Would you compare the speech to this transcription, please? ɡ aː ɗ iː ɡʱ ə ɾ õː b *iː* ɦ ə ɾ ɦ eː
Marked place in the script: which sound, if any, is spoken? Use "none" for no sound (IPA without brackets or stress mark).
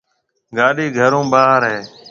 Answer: aː